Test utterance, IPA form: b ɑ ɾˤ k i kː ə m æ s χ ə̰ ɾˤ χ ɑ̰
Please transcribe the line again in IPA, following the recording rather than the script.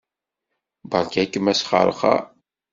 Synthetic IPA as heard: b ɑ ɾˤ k æ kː ə m æ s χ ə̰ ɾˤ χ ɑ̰